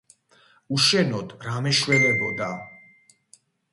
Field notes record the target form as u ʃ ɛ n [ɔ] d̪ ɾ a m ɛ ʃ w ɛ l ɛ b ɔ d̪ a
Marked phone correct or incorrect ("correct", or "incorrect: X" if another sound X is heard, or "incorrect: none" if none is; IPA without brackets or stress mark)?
correct